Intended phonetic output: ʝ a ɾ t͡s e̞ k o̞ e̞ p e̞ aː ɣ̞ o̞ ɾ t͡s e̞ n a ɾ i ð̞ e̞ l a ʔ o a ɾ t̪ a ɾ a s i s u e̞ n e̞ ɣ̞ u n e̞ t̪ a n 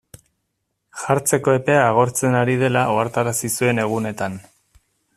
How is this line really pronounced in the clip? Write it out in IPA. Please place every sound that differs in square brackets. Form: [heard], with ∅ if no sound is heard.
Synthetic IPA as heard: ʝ a ɾ t͡s e̞ k o̞ e̞ p e̞ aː ɣ̞ o̞ ɾ t͡s e̞ n a ɾ i ð̞ e̞ l a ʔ o a ɾ t̪ a ɾ a s i s u e̞ n e̞ ɣ̞ u n e̞ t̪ a n